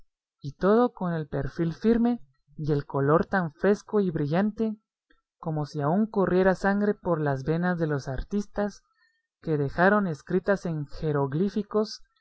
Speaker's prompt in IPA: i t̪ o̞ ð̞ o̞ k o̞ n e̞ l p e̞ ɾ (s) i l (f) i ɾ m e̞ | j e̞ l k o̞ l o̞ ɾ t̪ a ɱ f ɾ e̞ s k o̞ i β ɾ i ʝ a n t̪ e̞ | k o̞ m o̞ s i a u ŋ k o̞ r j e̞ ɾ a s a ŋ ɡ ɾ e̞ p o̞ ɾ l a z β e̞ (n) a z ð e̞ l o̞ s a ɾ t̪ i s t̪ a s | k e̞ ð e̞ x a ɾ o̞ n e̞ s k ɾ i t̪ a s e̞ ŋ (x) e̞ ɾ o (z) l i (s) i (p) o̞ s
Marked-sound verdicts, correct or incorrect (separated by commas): incorrect, correct, correct, correct, incorrect, incorrect, incorrect